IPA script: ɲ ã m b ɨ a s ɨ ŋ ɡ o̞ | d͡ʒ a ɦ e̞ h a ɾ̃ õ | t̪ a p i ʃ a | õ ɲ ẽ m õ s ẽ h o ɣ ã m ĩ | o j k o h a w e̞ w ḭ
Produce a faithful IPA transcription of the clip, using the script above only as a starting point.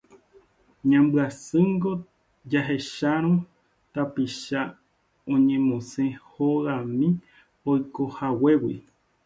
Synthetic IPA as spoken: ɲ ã m b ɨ a s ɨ ŋ ɡ o̞ | d͡ʒ a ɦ e̞ ʃ a ɾ̃ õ | t̪ a p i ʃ a | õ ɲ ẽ m õ s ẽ h o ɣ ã m ĩ | o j k o h a w e̞ w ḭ